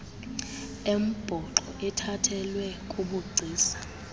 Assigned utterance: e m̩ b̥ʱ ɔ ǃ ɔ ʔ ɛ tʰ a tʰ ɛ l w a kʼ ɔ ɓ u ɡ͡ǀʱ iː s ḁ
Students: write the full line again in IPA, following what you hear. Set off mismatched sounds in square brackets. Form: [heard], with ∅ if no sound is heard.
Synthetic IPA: e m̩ b̥ʱ ɔ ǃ ɔ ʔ ɛ tʰ a tʰ ɛ l w [ɛ] kʼ [u] ɓ u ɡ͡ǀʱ iː s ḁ

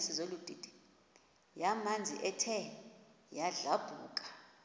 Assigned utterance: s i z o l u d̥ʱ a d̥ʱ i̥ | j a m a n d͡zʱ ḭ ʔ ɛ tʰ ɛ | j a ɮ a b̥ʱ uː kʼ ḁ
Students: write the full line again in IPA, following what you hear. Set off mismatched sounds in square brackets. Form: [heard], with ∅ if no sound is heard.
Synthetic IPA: s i z o l u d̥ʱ [i] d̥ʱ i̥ | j a m a n d͡zʱ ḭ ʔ ɛ tʰ ɛ | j a ɮ a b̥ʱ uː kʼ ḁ

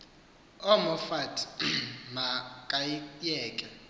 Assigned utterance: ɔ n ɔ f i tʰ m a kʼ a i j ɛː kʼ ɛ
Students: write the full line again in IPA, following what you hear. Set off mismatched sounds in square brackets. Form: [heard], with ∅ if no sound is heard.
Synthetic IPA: ɔ [m] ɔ f [a] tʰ m a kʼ a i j ɛː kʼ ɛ

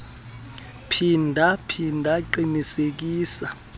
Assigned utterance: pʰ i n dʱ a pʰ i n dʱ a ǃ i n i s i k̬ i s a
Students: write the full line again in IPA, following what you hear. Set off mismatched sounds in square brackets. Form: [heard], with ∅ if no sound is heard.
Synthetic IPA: pʰ i n dʱ a pʰ i n dʱ a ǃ i n i s [e] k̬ [iː] s a

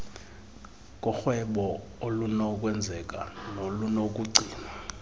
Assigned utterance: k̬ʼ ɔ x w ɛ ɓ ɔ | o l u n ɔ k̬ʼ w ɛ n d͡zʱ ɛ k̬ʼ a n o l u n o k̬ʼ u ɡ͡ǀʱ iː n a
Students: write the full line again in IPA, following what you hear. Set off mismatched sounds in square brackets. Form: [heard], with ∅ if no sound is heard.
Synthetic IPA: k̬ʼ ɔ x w ɛ ɓ ɔ | o l u n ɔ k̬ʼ w ɛ n d͡zʱ ɛ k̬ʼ a n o l u n o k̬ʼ u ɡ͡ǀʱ iː n a

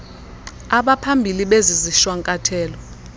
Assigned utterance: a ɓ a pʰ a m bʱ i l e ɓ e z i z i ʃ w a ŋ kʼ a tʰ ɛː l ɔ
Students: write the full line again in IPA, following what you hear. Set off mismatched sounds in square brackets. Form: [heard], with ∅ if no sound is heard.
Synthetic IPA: a ɓ a pʰ a m bʱ i l [i] ɓ e z i z i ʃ w a ŋ kʼ a tʰ ɛː l ɔ

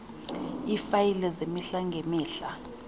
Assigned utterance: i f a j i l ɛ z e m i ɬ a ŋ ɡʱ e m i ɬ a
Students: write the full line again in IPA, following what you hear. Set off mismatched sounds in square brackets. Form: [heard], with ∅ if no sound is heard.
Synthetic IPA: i f a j i l ɛ z e m i ɬ a ŋ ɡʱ e m [iː] ɬ a

